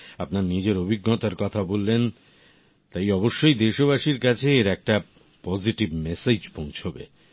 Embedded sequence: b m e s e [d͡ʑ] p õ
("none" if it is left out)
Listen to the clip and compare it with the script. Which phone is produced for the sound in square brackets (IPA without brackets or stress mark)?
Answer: d͡ʑ